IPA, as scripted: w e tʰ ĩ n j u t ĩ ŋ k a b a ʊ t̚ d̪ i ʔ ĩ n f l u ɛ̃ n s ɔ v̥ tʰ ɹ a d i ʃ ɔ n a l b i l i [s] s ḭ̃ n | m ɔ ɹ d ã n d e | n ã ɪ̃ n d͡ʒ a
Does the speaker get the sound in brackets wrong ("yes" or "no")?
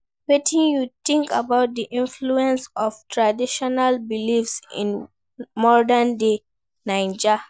yes